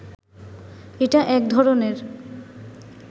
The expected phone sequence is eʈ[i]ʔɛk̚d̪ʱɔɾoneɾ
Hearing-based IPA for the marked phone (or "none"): a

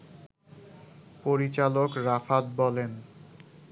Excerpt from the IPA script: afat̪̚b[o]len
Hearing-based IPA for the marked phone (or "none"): ɔ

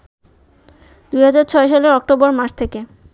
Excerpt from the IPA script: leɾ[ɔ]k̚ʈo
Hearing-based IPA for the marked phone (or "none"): ɔ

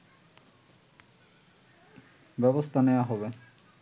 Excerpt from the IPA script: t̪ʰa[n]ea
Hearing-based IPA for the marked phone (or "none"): n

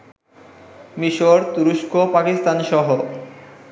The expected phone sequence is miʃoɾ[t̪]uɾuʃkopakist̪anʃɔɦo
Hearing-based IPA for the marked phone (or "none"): t̪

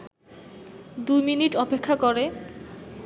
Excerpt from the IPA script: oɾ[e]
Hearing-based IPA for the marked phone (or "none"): e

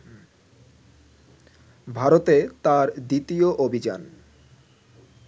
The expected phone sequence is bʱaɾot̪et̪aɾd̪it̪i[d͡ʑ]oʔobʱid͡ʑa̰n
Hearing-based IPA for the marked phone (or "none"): none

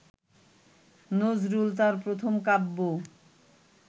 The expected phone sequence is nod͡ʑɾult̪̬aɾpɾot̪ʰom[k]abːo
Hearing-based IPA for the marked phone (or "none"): k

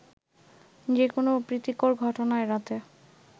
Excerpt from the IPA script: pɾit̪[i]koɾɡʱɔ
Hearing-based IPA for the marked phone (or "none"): i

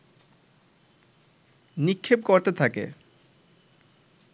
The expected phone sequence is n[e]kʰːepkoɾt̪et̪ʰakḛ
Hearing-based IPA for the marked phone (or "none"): i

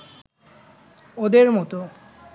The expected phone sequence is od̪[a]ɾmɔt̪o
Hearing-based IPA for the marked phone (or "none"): e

